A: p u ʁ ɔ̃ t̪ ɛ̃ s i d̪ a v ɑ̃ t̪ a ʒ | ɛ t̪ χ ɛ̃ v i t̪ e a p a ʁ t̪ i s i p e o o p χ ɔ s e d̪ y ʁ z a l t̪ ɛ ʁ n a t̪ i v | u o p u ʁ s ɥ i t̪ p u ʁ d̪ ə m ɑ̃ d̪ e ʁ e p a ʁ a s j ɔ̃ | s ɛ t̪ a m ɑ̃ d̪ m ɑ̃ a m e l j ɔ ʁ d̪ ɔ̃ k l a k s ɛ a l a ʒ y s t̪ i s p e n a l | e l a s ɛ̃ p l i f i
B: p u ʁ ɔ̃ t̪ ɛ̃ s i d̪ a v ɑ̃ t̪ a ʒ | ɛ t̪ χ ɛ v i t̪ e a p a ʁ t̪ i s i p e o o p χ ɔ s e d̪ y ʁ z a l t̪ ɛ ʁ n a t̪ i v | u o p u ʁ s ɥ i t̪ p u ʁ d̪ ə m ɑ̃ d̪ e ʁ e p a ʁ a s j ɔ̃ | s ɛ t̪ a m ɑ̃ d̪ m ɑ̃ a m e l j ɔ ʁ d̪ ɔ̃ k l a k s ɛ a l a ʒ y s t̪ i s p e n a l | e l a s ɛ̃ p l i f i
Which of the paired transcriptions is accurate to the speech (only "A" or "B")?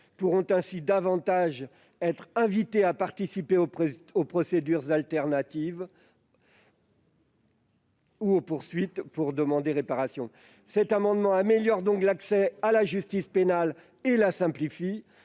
A